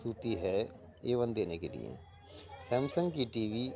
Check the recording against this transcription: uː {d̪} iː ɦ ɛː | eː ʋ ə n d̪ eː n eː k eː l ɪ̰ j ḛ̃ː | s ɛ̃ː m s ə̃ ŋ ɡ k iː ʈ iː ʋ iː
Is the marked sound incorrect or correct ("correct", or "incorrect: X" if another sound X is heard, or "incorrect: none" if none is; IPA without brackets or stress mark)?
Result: incorrect: t̪